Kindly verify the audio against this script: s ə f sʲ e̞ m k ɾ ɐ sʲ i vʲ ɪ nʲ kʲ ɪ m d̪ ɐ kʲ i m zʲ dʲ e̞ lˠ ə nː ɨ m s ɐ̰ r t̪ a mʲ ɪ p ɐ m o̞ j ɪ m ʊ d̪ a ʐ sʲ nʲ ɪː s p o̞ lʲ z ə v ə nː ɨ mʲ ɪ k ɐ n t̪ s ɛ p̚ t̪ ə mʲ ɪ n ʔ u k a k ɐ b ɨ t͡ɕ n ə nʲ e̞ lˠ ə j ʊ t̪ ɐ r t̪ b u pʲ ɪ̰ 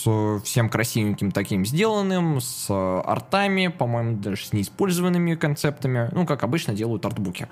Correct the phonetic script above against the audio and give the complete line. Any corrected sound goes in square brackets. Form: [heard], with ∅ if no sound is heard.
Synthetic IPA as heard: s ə f sʲ e̞ m k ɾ ɐ sʲ i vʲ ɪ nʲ kʲ ɪ m [t̪] ɐ kʲ i m zʲ dʲ e̞ lˠ ə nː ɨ m s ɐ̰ r t̪ a mʲ ɪ p ɐ m o̞ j ɪ m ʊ d̪ a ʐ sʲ nʲ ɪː s p o̞ lʲ z ə v ə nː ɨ mʲ ɪ k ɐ n t̪ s ɛ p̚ t̪ ə mʲ ɪ n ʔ u k a k ɐ b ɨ t͡ɕ n ə [dʲ] e̞ lˠ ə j ʊ t̪ ɐ r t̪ b u [kʲ] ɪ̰